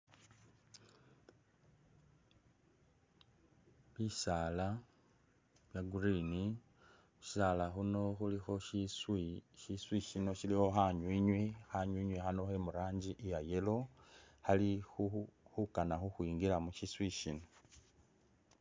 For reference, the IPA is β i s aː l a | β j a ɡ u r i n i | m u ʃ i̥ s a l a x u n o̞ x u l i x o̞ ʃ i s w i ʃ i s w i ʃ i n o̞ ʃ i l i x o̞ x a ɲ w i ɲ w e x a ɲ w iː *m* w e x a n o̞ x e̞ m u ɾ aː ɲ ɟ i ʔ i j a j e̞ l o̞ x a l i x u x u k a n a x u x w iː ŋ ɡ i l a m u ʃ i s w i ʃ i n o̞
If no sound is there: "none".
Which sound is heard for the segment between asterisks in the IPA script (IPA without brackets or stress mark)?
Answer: ɲ